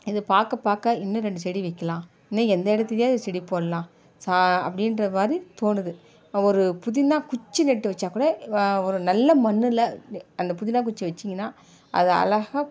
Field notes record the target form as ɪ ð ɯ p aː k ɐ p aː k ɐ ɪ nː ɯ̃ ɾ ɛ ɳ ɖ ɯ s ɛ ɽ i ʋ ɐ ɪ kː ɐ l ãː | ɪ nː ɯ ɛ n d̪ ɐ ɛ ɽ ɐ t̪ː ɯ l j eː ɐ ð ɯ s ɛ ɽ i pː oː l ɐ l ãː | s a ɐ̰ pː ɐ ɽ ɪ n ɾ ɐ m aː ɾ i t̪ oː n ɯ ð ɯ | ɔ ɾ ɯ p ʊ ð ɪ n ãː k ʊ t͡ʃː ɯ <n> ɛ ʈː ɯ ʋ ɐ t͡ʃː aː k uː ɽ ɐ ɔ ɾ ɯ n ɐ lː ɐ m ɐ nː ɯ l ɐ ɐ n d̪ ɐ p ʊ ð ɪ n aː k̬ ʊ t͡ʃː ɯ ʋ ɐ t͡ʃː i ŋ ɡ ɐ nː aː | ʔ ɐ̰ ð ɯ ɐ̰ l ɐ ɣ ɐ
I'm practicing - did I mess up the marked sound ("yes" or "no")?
no